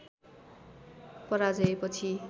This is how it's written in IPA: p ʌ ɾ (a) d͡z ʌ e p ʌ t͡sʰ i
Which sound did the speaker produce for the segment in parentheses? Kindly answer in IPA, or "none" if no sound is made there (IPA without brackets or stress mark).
a